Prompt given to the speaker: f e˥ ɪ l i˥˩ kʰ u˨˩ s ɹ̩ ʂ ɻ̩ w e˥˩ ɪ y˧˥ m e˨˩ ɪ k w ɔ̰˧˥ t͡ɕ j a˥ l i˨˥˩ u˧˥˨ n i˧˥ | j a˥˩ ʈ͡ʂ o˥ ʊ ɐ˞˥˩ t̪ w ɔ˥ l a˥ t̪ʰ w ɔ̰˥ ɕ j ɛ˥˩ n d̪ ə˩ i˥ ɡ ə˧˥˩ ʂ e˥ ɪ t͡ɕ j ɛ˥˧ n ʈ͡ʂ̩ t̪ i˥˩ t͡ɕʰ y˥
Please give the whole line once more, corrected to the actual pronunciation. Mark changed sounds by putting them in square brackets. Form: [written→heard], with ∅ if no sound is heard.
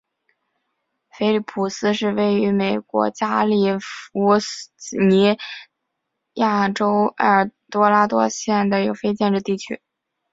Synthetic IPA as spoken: f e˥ ɪ l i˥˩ [kʰ→pʰ] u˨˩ s ɹ̩ ʂ ɻ̩ w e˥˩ ɪ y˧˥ m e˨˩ ɪ k w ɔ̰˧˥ t͡ɕ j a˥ l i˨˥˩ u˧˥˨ n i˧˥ | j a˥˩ ʈ͡ʂ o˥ ʊ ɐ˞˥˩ t̪ w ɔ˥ l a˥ [t̪ʰ→t̪] w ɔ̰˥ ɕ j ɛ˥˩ n d̪ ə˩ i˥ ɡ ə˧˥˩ [ʂ→f] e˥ ɪ t͡ɕ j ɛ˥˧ n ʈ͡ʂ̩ t̪ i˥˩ t͡ɕʰ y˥